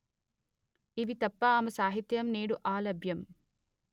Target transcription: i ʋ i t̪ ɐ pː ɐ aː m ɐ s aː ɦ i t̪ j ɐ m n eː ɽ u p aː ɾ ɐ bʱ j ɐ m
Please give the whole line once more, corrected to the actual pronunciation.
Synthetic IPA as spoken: i ʋ i t̪ ɐ pː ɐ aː m ɐ s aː ɦ i t̪ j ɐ m n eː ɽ u ʔ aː l ɐ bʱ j ɐ m